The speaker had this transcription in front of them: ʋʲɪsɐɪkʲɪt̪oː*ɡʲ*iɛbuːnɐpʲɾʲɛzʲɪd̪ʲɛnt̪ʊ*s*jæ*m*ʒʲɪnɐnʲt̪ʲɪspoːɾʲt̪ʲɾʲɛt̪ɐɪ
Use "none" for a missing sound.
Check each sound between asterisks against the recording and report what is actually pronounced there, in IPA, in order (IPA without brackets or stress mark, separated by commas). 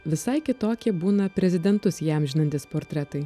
kʲ, s, m